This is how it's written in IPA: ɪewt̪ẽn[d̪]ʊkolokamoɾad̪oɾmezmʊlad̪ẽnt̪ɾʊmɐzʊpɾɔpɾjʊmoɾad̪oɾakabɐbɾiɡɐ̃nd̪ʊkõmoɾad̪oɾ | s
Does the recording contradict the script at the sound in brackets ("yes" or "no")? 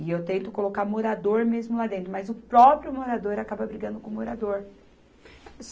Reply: yes